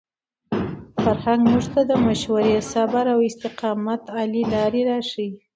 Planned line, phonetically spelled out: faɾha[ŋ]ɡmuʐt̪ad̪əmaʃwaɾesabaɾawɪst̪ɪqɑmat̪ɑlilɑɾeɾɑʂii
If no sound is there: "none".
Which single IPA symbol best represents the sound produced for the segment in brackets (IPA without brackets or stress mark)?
ŋ